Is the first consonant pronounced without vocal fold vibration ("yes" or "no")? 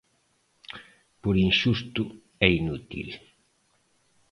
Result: yes